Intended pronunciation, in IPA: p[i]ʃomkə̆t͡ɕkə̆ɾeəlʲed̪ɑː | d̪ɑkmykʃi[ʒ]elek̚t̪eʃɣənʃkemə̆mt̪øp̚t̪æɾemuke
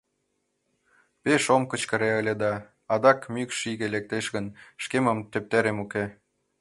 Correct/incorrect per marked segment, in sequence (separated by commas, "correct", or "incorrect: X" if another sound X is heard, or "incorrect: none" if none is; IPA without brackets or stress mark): incorrect: e, incorrect: ɣ